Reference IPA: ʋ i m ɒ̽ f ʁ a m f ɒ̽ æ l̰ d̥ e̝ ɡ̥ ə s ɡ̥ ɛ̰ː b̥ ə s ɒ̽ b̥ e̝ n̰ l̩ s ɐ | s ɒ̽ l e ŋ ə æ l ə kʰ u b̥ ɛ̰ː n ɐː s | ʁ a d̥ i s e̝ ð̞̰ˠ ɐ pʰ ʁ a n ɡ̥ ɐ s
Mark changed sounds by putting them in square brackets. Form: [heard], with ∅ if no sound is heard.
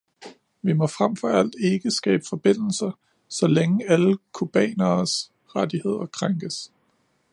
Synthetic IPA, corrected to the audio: ʋ i m ɒ̽ f ʁ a m f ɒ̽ æ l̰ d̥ e̝ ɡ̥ ə s ɡ̥ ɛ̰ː b̥ ə [f] ɒ̽ b̥ e̝ n̰ l̩ s ɐ | s ɒ̽ l e ŋ ə æ l ə kʰ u b̥ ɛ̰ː n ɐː s | ʁ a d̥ i [h] e̝ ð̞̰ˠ ɐ [kʰ] ʁ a [ŋ] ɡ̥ [ə] s